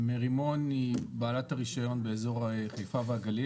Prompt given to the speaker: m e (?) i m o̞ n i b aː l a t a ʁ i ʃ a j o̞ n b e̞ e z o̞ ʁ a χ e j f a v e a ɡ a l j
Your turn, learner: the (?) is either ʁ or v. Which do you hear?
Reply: ʁ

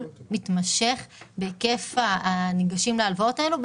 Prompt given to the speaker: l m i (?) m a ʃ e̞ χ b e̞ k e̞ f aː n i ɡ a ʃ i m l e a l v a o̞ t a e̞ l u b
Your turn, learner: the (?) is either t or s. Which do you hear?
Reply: t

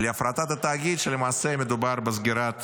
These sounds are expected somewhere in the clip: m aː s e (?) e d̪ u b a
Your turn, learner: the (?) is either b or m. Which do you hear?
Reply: m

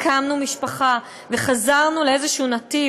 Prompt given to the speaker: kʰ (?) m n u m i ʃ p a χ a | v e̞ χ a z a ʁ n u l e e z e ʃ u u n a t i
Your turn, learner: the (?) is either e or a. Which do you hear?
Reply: a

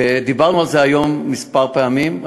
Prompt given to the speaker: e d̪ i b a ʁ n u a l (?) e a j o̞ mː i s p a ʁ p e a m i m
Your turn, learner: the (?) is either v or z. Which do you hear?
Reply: z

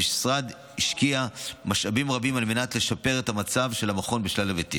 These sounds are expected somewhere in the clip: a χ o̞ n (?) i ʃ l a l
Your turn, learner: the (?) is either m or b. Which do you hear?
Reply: b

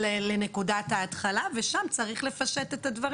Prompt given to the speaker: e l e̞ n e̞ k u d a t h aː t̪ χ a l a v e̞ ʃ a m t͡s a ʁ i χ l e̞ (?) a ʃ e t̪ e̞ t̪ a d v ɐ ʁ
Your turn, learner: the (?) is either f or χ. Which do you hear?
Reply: f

